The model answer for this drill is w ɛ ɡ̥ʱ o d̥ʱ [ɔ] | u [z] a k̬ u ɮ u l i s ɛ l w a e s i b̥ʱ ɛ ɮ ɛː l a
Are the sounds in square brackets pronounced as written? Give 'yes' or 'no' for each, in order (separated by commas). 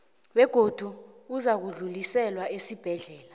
no, yes